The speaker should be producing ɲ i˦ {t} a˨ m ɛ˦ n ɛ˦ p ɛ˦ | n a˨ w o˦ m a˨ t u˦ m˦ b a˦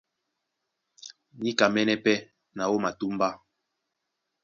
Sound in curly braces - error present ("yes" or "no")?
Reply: yes